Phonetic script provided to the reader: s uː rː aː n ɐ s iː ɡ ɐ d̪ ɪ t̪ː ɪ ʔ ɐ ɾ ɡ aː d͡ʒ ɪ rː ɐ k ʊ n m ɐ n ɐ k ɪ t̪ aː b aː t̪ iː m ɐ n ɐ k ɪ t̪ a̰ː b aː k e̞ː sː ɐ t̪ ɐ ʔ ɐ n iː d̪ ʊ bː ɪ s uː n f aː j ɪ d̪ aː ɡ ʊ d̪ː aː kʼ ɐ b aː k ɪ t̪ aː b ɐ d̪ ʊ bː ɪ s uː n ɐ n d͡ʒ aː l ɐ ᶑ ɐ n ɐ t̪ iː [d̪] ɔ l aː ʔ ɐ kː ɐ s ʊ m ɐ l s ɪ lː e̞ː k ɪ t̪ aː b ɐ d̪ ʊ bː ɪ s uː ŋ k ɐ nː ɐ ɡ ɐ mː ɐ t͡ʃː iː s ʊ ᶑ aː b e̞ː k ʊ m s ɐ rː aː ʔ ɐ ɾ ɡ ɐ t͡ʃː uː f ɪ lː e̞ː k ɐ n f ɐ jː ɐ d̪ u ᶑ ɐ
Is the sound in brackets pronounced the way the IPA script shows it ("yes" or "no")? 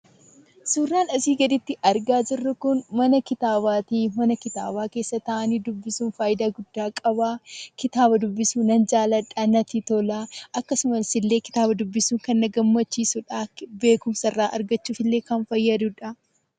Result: no